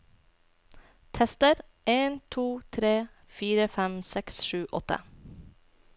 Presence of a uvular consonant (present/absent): absent